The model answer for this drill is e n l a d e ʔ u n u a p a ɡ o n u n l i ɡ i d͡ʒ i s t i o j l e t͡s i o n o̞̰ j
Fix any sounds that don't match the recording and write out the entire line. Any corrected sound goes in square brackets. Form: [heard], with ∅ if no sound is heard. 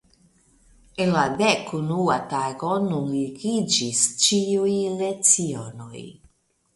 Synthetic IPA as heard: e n l a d e [k] u n u a [t] a ɡ o n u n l i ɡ i d͡ʒ i s [t͡ʃ] i [u] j l e t͡s i o n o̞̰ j